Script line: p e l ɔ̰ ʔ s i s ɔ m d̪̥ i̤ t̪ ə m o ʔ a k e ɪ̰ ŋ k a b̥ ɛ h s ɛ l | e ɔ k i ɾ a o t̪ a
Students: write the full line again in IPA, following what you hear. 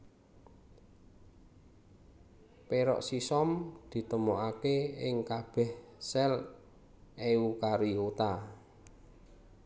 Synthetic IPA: p e ɾ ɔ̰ ʔ s i s ɔ m d̪̥ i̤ t̪ ə m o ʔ a k e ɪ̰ ŋ k a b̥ ɛ h s ɛ l | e u k a ɾ i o t̪ a